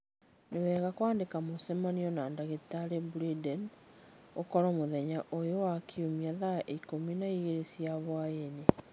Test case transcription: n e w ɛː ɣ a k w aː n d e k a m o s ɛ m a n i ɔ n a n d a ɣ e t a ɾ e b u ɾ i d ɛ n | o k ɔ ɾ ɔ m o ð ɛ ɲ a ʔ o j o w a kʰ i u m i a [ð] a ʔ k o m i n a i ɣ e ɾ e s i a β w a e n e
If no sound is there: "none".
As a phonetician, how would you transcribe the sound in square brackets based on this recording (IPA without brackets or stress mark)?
ð